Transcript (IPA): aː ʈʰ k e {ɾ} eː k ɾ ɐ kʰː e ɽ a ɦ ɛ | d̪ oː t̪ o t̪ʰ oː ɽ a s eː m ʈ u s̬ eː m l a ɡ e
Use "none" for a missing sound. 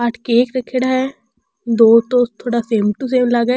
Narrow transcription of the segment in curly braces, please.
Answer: none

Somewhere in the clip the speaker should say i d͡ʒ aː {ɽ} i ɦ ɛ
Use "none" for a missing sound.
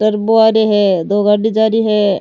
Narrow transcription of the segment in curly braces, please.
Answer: ɾ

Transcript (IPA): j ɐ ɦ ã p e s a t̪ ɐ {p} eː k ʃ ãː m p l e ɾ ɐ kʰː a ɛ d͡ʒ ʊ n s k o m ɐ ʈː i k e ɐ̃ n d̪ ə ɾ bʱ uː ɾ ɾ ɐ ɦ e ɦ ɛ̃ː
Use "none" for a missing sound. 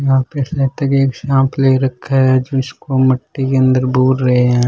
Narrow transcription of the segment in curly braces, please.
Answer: k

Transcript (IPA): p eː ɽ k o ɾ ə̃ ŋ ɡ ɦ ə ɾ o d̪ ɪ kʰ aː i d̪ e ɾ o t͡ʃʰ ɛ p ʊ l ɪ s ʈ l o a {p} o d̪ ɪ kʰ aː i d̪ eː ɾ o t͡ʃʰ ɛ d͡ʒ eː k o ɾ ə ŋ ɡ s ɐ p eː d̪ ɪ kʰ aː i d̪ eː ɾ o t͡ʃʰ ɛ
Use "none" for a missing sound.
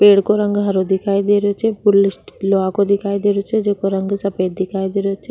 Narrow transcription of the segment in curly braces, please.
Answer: k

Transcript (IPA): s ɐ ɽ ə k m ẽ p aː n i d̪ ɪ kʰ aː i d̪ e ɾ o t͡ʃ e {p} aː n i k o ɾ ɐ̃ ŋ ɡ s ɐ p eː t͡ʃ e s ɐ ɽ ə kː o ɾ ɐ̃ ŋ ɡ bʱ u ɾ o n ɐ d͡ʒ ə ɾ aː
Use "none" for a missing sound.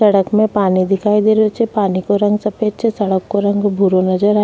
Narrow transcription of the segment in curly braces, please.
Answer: p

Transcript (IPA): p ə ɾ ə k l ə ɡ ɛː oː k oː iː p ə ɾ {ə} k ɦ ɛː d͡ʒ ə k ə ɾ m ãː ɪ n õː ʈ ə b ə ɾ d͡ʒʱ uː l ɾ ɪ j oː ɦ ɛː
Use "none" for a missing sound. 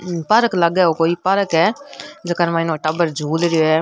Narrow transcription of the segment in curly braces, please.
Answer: ə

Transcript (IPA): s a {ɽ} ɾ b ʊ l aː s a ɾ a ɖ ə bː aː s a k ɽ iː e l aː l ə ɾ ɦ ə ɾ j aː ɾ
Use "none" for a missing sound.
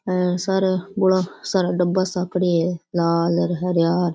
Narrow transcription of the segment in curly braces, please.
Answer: none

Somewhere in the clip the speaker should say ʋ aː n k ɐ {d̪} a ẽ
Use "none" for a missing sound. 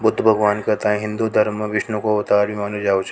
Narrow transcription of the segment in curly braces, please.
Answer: t̪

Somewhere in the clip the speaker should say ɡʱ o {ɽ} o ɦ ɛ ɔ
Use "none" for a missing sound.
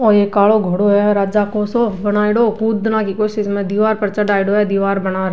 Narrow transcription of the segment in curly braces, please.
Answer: ɽ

